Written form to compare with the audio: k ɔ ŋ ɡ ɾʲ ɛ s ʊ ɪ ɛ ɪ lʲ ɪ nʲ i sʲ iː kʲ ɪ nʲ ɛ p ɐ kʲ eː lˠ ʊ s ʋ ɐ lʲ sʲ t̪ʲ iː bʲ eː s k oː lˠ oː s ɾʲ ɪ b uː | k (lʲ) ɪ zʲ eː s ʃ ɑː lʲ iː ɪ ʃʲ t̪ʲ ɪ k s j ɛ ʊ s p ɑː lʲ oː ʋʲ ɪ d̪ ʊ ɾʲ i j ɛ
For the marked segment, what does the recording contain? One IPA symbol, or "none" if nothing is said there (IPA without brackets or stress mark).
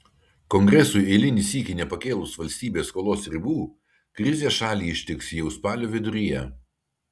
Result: ɾʲ